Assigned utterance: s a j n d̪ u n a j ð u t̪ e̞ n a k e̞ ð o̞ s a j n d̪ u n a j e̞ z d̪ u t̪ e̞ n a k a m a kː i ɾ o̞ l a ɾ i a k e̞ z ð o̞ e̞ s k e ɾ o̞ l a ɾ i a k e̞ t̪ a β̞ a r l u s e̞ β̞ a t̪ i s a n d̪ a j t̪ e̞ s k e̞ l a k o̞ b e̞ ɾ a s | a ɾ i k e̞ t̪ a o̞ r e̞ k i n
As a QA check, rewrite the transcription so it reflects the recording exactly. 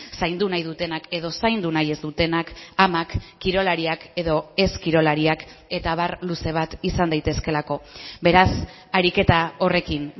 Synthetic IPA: s a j n d̪ u n a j ð u t̪ e̞ n a k e̞ ð o̞ s a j n d̪ u n a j e̞ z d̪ u t̪ e̞ n a k a m a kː i ɾ o̞ l a ɾ i a k e̞ ð o̞ e̞ s k i ɾ o̞ l a ɾ i a k e̞ t̪ a β̞ a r l u s e̞ β̞ a t̪ i s a n d̪ a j t̪ e̞ s k e̞ l a k o̞ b e̞ ɾ a s | a ɾ i k e̞ t̪ a o̞ r e̞ k i n